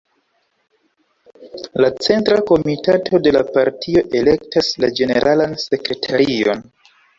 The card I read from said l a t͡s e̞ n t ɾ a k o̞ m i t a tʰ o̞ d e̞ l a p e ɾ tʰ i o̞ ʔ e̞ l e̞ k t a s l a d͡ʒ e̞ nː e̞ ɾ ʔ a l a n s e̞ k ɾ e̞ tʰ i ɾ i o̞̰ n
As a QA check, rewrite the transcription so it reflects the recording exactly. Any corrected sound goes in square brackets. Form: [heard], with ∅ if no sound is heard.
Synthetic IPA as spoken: l a t͡s e̞ n t ɾ a k o̞ m i t a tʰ o̞ d e̞ l a p [a] ɾ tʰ i o̞ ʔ e̞ l e̞ k t a s l a d͡ʒ e̞ [n] e̞ ɾ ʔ a l a n s e̞ k ɾ e̞ tʰ [a] ɾ i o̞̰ n